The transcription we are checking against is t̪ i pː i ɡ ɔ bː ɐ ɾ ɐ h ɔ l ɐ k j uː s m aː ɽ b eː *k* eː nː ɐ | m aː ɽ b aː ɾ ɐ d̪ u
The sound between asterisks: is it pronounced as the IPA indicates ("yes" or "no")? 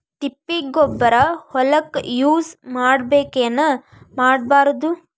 yes